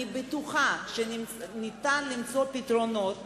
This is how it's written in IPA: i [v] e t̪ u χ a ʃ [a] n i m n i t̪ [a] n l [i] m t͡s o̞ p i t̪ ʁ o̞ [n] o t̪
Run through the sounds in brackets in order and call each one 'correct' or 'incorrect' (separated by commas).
incorrect, incorrect, correct, correct, correct